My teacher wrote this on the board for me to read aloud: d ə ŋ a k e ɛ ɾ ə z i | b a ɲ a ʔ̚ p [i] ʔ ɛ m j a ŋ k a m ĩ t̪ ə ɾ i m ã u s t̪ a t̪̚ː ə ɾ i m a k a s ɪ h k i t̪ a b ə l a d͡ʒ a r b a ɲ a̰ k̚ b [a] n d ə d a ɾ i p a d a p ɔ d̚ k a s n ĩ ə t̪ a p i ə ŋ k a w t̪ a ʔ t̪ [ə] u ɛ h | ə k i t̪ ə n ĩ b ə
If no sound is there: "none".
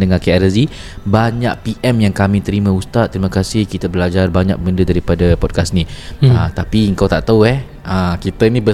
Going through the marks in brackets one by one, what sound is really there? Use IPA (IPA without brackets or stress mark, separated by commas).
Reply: i, ə, a